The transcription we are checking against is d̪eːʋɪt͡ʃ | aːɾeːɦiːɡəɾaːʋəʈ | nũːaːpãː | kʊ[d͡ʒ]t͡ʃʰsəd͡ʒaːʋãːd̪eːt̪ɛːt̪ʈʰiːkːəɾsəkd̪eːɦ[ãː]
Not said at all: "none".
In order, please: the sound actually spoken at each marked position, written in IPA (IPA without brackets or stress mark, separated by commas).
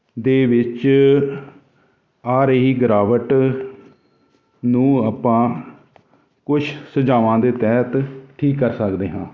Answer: none, ãː